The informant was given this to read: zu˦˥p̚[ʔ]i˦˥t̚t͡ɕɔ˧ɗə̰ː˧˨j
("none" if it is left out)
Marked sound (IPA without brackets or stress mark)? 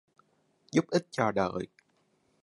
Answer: ʔ